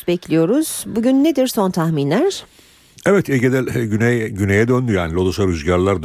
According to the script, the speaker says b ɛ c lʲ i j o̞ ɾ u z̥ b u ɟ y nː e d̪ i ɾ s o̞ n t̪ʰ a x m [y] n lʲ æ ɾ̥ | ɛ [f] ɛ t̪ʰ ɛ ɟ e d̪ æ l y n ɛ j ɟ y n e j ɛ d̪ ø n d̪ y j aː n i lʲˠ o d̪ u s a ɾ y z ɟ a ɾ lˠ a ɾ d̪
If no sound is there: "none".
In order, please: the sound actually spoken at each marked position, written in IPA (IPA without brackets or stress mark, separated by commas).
i, v